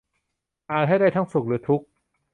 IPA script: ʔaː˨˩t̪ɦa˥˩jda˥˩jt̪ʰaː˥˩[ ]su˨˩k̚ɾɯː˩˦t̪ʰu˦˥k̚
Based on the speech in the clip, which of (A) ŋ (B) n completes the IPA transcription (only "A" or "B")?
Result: A